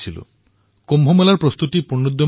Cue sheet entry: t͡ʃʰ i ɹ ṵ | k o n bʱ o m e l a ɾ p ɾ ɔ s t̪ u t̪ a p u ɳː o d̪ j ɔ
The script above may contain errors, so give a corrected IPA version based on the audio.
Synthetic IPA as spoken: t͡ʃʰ i l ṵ | k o m bʱ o m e l a ɾ p ɾ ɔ s t̪ u t̪ i p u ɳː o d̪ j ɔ